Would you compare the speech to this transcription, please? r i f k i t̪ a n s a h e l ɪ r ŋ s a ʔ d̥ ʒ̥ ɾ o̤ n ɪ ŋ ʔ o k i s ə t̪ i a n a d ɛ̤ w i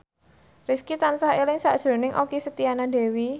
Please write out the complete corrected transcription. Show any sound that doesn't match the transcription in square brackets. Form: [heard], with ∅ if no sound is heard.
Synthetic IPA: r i f k i t̪ a n s a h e l ɪ [∅] ŋ s a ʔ d̥ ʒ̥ ɾ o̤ n ɪ ŋ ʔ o k i s ə t̪ i a n a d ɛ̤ w i